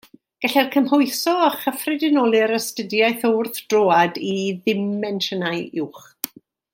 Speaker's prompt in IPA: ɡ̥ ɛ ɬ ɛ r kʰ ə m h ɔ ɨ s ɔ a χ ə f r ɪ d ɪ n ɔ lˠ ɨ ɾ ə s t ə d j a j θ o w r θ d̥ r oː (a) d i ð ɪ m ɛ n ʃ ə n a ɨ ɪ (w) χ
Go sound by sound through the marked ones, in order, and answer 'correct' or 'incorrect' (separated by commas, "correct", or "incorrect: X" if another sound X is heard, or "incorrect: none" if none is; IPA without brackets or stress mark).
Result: correct, correct